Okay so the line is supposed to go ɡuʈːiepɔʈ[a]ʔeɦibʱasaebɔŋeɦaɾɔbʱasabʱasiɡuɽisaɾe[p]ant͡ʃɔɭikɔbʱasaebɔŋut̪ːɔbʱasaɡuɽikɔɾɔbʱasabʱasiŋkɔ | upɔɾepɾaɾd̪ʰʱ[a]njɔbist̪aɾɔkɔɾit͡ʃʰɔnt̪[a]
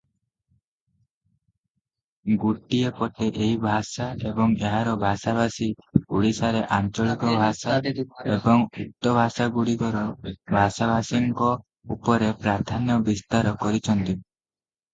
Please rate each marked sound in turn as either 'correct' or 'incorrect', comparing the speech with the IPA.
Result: incorrect: e, incorrect: ʔ, correct, incorrect: i

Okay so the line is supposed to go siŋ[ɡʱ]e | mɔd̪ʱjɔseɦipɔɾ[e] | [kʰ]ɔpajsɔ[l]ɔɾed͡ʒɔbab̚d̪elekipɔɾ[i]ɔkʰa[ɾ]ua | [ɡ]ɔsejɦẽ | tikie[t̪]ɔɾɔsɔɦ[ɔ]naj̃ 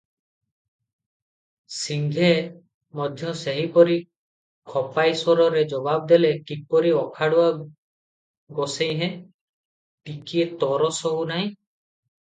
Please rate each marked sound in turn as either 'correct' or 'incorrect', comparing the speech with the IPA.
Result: correct, incorrect: i, correct, incorrect: ɾ, correct, incorrect: ɽ, correct, correct, incorrect: u

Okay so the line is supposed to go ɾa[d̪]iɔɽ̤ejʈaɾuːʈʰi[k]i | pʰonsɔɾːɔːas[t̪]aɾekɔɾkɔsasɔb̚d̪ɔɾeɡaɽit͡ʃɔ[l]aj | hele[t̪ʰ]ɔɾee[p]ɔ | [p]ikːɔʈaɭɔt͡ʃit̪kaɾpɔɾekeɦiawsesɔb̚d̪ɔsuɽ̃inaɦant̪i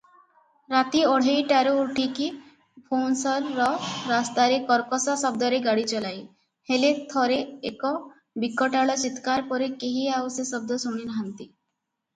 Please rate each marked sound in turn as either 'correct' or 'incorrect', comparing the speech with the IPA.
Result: incorrect: t̪, correct, correct, correct, correct, incorrect: k, incorrect: b

